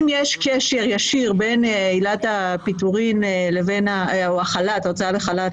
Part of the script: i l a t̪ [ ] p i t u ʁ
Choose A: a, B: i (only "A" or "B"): A